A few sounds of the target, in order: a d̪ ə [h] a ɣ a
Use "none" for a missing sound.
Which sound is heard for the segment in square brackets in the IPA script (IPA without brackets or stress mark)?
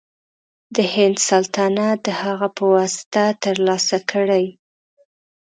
h